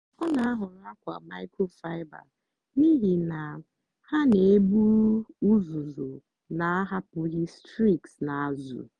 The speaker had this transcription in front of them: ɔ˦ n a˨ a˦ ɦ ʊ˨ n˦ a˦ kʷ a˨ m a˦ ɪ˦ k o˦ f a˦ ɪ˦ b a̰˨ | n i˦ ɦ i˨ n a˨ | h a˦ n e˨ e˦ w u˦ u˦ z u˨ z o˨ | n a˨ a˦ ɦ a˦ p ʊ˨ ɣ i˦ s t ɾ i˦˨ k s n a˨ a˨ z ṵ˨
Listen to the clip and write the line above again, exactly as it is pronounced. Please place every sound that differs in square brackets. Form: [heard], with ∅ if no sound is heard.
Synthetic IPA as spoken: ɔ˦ n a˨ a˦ ɦ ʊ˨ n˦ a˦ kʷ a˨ m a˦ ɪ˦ k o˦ f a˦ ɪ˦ b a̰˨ | n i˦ ɦ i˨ n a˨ | h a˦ n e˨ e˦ [b] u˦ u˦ z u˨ z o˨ | n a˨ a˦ ɦ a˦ p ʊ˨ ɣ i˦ s t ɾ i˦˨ k s n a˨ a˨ z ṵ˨